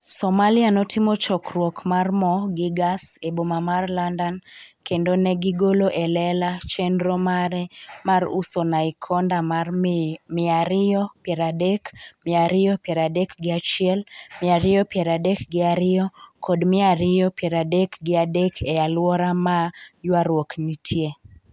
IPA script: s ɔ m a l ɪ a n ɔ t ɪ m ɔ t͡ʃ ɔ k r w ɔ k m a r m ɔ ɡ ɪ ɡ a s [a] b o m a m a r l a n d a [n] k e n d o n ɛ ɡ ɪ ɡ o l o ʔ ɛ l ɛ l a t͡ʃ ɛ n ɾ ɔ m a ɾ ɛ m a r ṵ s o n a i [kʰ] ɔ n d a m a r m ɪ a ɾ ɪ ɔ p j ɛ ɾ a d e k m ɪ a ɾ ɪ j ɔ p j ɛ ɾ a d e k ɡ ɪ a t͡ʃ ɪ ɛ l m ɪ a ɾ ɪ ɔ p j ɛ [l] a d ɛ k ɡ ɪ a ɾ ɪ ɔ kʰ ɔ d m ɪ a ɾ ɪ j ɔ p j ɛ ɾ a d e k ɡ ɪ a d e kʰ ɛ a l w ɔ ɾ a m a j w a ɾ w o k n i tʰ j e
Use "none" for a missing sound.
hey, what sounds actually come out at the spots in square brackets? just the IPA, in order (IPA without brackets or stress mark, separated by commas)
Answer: e, n, kʰ, ɾ